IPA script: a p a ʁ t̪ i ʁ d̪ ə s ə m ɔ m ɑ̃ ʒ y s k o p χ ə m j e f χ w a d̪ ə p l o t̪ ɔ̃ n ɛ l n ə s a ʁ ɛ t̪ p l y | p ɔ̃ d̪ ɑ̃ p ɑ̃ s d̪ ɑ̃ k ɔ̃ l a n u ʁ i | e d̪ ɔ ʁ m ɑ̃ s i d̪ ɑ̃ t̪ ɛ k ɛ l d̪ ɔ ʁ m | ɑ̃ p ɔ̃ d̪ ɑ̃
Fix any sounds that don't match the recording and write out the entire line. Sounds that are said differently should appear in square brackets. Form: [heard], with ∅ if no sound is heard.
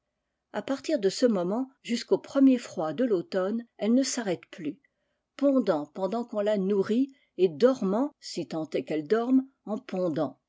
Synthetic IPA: a p a ʁ t̪ i ʁ d̪ ə s ə m ɔ m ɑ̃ ʒ y s k o p χ ə m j e f χ w a d̪ ə [∅] l o t̪ [ɔ] n ɛ l n ə s a ʁ ɛ t̪ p l y | p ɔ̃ d̪ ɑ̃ p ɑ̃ [∅] d̪ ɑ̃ k ɔ̃ l a n u ʁ i | e d̪ ɔ ʁ m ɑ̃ s i [t̪] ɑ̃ t̪ ɛ k ɛ l d̪ ɔ ʁ m | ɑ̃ p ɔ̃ d̪ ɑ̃